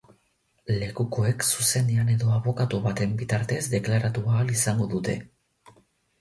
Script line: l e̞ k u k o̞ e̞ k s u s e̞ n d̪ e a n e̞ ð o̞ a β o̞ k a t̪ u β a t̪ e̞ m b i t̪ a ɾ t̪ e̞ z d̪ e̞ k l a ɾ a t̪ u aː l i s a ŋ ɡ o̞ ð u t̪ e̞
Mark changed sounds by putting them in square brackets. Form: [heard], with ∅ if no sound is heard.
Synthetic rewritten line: l e̞ k u k o̞ e̞ k s u s e̞ n d̪ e a n e̞ ð o̞ a β o̞ k a t̪ u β a t̪ e̞ m b i t̪ a ɾ t̪ e̞ z d̪ e̞ k l a ɾ a t̪ u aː l i s a ŋ ɡ o̞ ð u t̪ e̞